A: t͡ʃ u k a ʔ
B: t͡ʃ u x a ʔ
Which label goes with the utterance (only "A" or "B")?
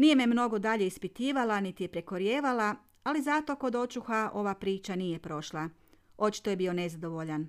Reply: B